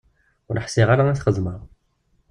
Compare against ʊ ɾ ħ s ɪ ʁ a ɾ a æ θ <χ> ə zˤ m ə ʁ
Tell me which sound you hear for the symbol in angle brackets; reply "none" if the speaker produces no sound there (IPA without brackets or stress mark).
χ